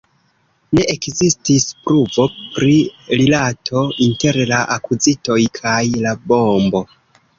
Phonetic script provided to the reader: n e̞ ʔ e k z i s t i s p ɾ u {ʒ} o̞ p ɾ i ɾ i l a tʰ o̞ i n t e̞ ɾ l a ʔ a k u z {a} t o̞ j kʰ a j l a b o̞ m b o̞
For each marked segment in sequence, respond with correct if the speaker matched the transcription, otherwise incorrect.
incorrect: v, incorrect: i

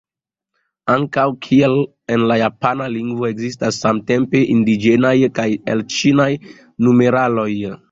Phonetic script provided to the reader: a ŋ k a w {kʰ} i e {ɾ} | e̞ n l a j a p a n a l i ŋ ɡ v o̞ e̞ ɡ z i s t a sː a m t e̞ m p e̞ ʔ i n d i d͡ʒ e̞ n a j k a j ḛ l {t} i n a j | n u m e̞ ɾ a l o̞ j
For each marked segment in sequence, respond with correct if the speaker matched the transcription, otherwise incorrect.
correct, incorrect: l, incorrect: t͡ʃ

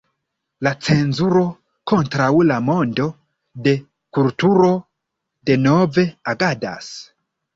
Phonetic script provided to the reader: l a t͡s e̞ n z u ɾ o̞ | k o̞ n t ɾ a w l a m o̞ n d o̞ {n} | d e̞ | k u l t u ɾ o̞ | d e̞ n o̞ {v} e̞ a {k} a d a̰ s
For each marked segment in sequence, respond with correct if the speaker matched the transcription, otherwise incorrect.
incorrect: none, correct, incorrect: ɡ

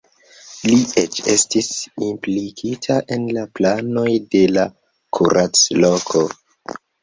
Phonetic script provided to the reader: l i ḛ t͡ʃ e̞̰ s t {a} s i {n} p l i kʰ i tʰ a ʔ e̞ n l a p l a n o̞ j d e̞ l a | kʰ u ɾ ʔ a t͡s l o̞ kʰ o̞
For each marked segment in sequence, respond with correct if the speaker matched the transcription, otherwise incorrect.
incorrect: i, incorrect: m

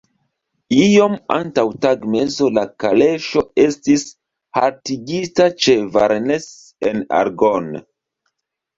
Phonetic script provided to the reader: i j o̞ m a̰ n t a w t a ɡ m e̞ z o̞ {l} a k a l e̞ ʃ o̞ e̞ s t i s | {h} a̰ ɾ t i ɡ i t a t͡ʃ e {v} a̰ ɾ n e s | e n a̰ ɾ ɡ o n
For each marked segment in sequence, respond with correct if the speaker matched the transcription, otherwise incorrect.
correct, correct, correct

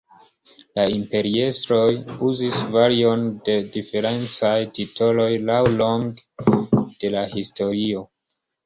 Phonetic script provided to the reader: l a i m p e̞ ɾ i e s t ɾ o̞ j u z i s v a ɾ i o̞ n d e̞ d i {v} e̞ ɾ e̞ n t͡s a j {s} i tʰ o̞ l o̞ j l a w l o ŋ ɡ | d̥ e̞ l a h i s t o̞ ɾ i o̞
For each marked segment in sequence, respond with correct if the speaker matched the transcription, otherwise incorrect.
incorrect: f, incorrect: t

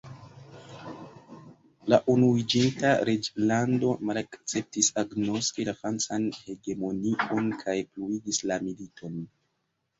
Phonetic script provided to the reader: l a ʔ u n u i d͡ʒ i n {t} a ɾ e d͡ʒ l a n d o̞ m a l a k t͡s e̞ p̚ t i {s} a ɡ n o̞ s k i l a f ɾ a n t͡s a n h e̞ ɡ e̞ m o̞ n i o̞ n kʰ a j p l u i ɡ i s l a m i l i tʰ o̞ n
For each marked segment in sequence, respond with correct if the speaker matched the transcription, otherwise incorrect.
correct, correct

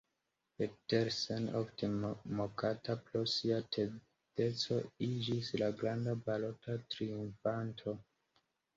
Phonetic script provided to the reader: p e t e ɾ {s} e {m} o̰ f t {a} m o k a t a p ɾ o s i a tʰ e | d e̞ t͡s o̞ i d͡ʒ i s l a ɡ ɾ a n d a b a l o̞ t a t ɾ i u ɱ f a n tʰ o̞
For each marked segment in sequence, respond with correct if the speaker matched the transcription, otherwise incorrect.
correct, incorrect: n, incorrect: e

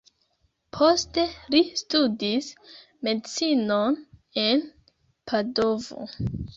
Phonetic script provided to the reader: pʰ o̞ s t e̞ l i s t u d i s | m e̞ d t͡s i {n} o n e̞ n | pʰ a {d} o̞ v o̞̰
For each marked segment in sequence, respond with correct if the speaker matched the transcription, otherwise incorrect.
correct, correct

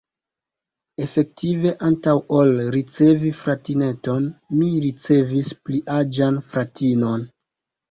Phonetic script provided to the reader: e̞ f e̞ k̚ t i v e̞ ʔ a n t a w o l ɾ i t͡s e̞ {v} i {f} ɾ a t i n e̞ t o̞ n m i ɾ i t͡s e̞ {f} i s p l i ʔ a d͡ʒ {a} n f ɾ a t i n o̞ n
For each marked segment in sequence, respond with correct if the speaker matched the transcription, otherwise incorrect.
correct, correct, incorrect: v, correct

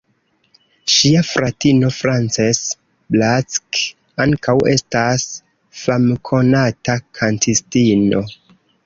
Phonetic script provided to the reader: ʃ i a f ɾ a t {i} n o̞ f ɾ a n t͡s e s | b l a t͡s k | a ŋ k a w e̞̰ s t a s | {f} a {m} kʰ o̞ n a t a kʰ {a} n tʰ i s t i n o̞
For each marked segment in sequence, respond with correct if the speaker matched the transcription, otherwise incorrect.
correct, correct, correct, correct

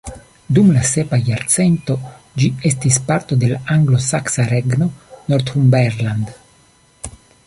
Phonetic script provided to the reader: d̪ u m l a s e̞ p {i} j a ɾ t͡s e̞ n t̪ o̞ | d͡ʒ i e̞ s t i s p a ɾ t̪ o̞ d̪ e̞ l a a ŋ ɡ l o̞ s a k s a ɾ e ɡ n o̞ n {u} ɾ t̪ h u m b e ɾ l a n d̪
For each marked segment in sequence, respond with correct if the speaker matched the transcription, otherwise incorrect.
incorrect: a, incorrect: o

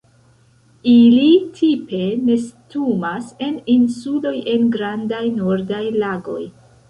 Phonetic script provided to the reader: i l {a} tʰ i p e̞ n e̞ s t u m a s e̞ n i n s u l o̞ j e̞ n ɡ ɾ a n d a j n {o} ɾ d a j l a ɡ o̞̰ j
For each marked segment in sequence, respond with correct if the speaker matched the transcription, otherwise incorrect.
incorrect: i, correct

